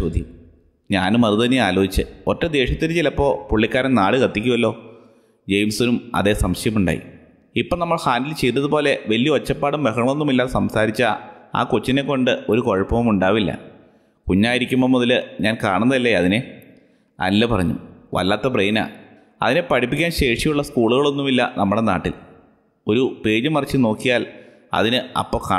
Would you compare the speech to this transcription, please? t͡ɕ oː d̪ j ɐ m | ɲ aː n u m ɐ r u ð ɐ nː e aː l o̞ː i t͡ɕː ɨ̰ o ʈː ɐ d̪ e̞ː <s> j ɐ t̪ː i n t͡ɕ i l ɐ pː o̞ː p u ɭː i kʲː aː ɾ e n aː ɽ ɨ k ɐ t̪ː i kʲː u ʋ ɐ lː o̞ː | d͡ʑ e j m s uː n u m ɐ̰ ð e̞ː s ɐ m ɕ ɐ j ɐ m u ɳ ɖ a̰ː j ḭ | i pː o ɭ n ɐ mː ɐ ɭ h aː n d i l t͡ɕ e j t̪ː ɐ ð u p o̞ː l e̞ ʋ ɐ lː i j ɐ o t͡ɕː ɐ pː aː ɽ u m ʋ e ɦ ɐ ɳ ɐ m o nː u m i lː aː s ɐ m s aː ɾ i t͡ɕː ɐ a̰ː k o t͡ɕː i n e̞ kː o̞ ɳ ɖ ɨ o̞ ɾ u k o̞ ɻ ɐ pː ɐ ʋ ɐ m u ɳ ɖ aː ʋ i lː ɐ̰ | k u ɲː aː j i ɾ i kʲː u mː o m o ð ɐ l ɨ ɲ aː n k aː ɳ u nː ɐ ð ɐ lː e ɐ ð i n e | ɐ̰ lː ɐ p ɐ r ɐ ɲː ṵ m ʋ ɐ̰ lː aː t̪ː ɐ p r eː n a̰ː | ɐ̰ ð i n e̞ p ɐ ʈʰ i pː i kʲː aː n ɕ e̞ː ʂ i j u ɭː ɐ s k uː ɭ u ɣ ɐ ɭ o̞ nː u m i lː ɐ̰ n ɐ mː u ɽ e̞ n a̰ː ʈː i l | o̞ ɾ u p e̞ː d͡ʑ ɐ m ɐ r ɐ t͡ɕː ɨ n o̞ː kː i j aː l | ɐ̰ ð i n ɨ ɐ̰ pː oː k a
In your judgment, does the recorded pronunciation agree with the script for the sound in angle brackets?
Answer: no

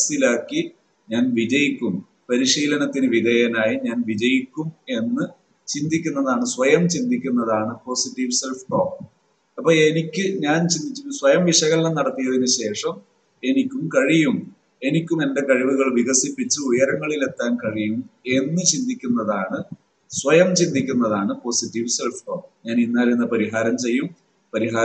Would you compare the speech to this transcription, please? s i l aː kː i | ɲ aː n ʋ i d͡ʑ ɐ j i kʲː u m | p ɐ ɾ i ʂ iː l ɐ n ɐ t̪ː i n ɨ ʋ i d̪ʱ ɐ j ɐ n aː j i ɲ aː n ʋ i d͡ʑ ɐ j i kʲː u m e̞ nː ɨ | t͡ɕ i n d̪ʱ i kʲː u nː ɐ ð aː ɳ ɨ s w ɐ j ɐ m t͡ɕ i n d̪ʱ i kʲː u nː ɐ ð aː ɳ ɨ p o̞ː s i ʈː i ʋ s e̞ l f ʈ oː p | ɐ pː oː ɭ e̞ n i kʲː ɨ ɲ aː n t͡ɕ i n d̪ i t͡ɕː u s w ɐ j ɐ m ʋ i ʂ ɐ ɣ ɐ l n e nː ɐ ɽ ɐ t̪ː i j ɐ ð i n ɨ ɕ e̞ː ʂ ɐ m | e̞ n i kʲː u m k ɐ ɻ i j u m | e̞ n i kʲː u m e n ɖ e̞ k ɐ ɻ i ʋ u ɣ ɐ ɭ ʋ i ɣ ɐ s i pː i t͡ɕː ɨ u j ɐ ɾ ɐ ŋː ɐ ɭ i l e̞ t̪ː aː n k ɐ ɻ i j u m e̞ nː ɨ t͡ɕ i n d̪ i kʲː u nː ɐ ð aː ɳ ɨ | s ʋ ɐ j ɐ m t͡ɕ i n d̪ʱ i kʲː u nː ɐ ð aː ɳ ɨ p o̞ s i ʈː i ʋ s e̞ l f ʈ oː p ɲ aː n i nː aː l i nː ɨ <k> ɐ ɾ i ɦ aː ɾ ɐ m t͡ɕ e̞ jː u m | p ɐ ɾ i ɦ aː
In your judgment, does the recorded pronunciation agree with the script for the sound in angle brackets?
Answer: no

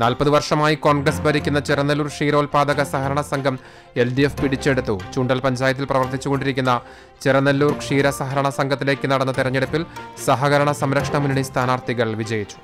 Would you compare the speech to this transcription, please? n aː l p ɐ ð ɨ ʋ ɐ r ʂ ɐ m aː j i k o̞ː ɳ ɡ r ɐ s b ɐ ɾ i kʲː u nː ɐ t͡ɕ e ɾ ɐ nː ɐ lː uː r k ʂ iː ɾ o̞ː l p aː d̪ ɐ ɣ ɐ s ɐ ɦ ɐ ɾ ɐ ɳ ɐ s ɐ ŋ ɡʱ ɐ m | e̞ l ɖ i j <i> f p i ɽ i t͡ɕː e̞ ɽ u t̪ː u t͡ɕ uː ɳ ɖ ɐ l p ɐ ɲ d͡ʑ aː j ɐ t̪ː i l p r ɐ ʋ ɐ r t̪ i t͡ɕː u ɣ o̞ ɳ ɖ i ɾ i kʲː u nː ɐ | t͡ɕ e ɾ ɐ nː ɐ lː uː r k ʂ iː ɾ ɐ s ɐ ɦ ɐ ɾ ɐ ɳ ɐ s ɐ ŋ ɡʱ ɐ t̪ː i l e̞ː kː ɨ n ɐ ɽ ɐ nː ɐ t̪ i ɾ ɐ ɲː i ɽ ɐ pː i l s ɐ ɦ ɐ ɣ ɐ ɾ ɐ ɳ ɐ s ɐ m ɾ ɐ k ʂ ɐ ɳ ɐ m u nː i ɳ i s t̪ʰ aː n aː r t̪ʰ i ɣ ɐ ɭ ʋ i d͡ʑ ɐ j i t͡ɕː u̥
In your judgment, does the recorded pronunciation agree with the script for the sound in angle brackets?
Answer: no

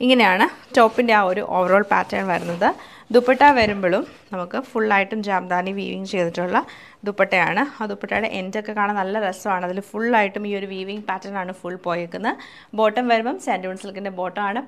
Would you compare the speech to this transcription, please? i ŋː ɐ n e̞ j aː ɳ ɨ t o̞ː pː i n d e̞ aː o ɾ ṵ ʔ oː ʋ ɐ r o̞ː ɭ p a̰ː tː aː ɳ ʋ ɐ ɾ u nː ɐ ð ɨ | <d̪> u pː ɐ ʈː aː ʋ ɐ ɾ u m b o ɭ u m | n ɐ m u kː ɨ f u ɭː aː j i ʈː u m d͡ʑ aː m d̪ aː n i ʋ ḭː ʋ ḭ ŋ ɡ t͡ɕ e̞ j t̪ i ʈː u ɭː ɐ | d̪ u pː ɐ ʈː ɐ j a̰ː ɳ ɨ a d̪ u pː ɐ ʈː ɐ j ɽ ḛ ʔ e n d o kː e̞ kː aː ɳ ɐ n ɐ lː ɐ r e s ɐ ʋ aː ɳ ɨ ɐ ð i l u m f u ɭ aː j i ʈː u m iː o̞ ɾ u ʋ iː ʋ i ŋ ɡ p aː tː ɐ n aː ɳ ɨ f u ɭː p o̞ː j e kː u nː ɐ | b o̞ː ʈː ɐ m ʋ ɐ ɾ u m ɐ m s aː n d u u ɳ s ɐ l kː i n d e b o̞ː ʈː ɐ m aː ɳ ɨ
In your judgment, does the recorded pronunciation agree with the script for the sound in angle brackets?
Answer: yes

